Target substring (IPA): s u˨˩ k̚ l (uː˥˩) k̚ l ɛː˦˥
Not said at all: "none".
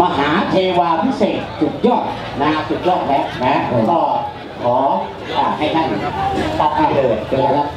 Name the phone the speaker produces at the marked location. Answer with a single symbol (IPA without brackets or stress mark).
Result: ɔː˥˩